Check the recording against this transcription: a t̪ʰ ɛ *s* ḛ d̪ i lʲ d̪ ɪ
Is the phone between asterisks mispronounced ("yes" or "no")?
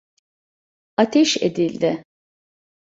yes